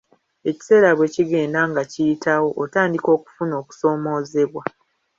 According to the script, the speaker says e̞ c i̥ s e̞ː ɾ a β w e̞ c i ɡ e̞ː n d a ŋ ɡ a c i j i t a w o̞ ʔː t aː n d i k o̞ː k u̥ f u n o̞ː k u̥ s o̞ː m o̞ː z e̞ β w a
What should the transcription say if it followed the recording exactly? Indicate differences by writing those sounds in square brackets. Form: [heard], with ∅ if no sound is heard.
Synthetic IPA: e̞ c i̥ s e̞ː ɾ a β w e̞ c i ɡ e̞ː n d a ŋ ɡ a c i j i t a w o̞ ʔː t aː n d i k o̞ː k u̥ f u n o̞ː k u̥ s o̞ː m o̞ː z e̞ β w a